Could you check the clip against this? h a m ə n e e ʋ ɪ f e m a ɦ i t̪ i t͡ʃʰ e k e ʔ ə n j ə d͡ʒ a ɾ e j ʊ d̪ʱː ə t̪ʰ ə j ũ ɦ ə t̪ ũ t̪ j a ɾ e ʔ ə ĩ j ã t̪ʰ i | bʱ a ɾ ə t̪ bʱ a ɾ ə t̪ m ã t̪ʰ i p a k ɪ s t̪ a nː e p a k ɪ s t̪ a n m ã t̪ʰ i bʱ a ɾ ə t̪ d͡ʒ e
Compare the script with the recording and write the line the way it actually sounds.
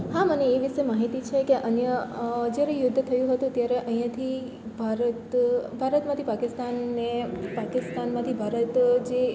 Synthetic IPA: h a m ə n e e ʋ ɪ ʃ e m a ɦ i t̪ i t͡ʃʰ e k e ʔ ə n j ə d͡ʒ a ɾ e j ʊ d̪ʱː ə t̪ʰ ə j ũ ɦ ə t̪ ũ t̪ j a ɾ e ʔ ə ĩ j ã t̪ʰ i | bʱ a ɾ ə t̪ bʱ a ɾ ə t̪ m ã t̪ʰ i p a k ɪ s t̪ a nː e p a k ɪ s t̪ a n m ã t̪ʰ i bʱ a ɾ ə t̪ d͡ʒ e